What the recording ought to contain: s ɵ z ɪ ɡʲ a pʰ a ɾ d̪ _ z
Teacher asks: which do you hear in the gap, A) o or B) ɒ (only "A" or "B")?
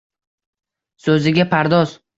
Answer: B